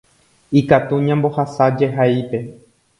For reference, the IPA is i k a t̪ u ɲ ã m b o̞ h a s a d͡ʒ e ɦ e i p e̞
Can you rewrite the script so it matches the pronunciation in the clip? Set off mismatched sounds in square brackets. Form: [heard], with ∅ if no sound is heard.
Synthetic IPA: i k a t̪ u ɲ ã m b o̞ h a s a d͡ʒ e ɦ [a] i p e̞